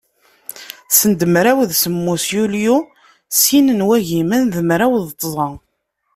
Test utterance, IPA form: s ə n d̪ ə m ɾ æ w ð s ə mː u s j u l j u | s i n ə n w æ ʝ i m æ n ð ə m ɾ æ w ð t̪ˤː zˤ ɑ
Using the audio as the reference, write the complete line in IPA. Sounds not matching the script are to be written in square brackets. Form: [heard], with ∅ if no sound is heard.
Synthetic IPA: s ə n d̪ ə m ɾ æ w ð s ə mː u s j u l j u | s i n ə n w æ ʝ i m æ n ð ə m ɾ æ w ð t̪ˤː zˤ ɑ